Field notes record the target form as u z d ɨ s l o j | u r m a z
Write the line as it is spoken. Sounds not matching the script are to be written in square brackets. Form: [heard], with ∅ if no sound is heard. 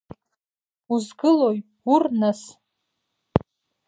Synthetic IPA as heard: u z [ɡ] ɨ [∅] l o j | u r [n] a [s]